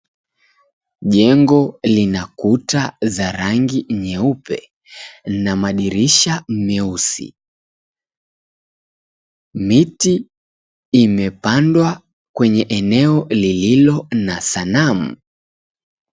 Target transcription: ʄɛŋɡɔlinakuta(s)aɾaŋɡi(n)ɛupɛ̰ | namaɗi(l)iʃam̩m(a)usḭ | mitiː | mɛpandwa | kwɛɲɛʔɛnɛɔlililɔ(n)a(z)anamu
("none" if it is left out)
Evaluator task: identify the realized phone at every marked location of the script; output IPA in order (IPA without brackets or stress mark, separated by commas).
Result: z, ɲ, ɾ, ɛ, n, s